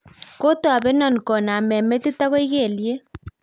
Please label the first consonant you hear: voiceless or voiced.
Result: voiceless